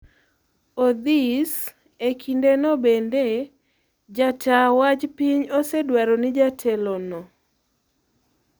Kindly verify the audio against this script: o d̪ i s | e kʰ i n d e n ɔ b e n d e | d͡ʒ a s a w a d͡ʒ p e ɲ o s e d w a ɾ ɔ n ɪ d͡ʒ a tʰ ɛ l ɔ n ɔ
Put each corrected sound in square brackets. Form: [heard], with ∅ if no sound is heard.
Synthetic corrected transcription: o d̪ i s | e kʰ i n d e n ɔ b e n d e | d͡ʒ a [t] a w a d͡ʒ p [i] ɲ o s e d w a ɾ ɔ n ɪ d͡ʒ a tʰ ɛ l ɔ n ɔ